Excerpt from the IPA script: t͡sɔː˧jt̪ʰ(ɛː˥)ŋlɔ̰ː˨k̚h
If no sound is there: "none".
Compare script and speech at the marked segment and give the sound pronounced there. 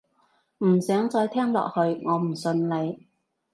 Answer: ɛː˥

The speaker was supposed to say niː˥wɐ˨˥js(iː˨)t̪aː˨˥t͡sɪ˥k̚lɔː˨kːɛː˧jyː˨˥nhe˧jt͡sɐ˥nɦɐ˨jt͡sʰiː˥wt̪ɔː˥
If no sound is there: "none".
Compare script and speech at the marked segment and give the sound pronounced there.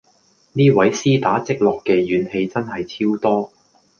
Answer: iː˥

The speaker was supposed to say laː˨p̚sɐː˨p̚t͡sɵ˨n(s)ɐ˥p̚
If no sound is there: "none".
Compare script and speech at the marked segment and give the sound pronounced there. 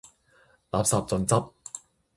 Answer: t͡s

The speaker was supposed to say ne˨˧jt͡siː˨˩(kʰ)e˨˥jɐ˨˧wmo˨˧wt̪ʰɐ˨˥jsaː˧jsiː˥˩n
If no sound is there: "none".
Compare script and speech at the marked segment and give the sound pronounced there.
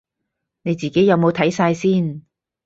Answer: k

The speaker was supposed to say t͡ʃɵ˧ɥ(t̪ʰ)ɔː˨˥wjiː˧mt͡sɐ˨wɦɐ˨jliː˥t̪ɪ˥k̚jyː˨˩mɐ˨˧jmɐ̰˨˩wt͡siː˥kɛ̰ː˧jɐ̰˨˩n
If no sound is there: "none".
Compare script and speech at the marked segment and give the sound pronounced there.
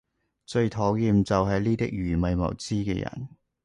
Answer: t̪ʰ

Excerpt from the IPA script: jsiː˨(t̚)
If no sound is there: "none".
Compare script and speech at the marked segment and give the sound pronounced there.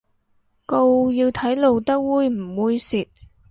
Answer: t̚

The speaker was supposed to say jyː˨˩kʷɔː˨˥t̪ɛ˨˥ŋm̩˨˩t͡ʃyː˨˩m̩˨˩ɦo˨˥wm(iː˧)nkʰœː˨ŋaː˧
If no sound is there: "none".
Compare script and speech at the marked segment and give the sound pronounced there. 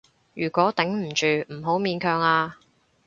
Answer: iː˧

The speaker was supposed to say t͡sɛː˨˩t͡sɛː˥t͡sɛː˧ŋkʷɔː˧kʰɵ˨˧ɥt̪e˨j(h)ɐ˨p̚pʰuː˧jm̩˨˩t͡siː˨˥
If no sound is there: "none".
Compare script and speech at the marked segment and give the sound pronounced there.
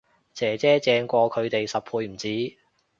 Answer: s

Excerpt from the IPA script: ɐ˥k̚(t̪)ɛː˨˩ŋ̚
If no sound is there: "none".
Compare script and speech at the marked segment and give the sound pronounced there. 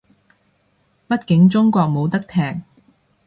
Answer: t̪ʰ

